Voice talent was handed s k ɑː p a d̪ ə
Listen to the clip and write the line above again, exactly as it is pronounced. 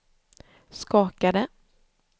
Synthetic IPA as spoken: s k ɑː k a d̪ ə